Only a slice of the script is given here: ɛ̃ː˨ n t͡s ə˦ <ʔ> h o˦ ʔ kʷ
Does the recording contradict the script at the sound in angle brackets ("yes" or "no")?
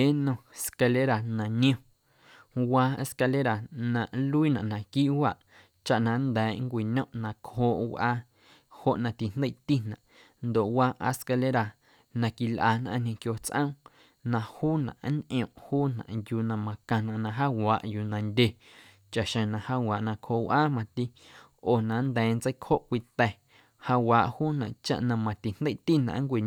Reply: yes